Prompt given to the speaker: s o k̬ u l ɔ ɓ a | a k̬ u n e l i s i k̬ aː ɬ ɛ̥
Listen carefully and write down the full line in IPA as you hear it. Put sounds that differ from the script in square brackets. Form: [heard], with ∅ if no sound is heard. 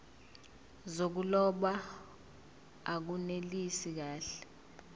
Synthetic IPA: [z] o k̬ u l ɔ ɓ a | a k̬ u n e l i s i k̬ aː ɬ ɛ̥